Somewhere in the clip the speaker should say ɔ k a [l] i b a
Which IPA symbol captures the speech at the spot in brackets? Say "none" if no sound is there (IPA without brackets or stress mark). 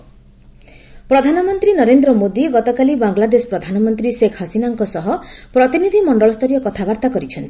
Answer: l